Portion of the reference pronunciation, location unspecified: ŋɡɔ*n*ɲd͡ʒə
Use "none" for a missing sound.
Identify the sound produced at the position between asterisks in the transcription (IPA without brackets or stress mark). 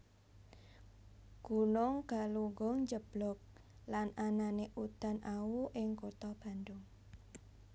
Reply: ŋ